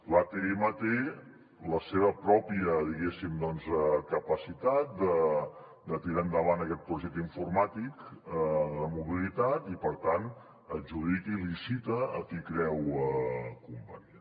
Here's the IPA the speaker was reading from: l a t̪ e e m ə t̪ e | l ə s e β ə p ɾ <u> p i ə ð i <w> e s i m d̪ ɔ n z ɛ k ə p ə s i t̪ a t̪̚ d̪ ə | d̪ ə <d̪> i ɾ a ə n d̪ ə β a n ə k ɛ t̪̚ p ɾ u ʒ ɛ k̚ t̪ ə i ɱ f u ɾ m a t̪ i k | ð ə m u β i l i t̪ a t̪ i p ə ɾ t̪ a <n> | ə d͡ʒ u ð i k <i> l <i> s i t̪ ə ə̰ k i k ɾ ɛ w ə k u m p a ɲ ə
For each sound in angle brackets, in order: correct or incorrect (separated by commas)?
incorrect, incorrect, incorrect, correct, correct, correct